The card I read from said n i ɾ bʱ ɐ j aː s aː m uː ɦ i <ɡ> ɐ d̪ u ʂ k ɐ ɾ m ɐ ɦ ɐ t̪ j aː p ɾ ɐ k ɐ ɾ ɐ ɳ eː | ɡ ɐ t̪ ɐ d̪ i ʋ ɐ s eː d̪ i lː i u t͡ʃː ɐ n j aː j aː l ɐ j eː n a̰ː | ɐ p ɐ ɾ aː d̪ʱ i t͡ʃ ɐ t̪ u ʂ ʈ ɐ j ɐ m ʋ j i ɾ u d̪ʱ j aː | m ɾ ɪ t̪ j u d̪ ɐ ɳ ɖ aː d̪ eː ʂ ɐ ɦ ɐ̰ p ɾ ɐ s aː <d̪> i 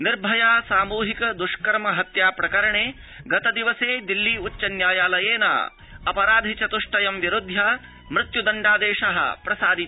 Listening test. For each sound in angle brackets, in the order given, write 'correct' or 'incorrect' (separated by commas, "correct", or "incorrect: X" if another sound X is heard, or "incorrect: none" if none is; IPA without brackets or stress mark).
incorrect: k, correct